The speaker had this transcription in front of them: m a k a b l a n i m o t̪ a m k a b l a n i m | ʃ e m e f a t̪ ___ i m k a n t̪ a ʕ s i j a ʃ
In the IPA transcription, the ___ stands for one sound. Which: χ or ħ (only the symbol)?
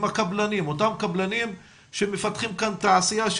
χ